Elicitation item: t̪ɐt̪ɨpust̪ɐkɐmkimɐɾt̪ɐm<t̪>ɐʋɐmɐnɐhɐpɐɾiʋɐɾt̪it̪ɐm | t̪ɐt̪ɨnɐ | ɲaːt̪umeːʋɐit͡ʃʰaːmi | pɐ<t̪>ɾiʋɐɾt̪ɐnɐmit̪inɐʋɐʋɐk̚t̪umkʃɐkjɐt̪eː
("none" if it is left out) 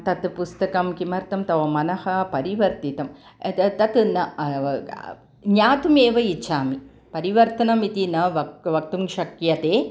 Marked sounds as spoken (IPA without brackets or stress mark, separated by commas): t̪, none